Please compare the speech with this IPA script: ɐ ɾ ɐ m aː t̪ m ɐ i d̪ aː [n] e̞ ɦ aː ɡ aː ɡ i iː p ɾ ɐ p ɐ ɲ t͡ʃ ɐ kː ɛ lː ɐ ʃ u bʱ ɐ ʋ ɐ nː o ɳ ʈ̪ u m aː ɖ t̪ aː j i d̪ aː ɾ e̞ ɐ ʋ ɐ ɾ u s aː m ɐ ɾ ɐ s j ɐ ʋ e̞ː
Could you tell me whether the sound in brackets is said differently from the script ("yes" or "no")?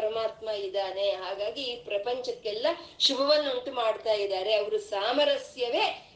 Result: no